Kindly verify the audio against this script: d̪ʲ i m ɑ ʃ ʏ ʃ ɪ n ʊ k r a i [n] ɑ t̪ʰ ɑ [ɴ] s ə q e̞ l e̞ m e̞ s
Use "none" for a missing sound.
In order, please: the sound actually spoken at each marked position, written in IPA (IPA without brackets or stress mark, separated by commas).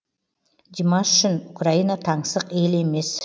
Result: n, ɴ